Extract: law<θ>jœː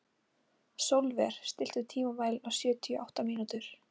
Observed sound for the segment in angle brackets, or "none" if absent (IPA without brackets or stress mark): s